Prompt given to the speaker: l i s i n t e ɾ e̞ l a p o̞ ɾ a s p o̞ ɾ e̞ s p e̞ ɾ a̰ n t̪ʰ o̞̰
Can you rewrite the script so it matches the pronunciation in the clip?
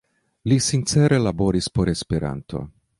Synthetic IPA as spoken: l i s i n t͡s e ɾ e̞ l a b o̞ ɾ i s p o̞ ɾ e̞ s p e̞ ɾ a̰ n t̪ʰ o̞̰